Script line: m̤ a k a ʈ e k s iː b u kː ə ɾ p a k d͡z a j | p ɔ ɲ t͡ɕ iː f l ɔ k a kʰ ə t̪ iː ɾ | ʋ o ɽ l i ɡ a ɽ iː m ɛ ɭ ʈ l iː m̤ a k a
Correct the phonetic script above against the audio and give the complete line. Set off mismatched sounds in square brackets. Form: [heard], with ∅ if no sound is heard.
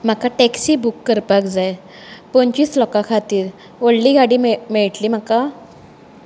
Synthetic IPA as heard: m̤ a k a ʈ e k s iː b u kː ə ɾ p a k d͡z a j | p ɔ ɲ t͡ɕ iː [s] l ɔ k a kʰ [a] t̪ iː ɾ | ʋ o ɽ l i ɡ a ɽ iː m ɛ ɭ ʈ l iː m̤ a k a